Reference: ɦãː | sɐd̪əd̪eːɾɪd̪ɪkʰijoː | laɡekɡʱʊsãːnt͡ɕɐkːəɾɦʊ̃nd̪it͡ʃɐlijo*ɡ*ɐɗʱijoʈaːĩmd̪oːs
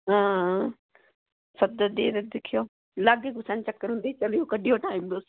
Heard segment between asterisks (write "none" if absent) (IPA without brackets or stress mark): k